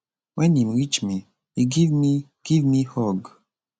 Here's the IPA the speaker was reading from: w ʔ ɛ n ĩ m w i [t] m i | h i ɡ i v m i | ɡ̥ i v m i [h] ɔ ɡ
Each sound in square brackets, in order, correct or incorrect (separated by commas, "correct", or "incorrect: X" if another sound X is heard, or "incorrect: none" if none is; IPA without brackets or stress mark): incorrect: t͡ʃ, correct